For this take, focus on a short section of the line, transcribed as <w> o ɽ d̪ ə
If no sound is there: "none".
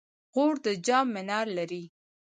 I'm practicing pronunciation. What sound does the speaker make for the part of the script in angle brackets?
ɣ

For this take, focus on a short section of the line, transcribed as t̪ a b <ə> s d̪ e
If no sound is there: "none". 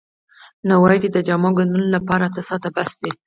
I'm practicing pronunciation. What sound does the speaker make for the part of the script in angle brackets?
a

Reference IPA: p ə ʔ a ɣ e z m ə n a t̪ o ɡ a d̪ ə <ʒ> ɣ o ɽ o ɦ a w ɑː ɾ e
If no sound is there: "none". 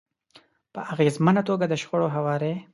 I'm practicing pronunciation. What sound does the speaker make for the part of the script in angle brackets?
ʃ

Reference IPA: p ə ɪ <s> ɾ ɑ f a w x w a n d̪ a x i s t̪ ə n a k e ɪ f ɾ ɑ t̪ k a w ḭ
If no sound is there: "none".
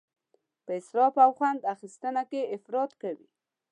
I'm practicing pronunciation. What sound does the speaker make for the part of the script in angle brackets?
s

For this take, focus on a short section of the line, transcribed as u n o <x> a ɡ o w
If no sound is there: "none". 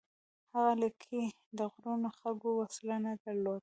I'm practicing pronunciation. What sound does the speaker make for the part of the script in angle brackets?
x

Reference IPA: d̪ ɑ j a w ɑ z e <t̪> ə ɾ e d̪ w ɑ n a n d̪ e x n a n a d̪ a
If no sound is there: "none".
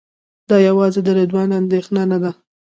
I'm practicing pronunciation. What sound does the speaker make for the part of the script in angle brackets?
d̪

